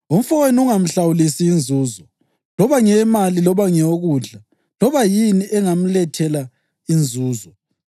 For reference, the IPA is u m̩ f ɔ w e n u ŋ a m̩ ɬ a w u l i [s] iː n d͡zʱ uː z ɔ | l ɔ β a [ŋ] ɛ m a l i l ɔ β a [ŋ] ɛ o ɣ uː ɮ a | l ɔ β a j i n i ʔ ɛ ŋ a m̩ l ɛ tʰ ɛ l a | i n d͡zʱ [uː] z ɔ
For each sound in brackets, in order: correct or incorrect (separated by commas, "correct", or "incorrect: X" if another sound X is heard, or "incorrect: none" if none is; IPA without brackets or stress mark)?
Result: correct, correct, correct, correct